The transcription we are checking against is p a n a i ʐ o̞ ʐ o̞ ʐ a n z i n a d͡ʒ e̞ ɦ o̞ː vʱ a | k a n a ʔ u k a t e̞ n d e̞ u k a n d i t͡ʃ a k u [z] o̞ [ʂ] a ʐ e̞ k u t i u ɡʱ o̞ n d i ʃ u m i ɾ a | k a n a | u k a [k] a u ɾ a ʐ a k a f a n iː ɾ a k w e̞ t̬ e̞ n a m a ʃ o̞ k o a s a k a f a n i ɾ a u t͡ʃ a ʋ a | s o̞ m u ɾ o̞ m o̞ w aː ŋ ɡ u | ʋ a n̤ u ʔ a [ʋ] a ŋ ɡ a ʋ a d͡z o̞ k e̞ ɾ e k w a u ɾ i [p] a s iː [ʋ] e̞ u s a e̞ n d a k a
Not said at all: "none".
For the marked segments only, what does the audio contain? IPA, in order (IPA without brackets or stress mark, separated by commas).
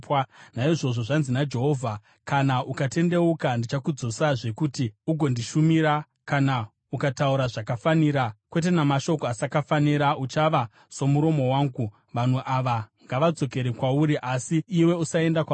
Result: d͡z, s, t, ʋ, ʔ, w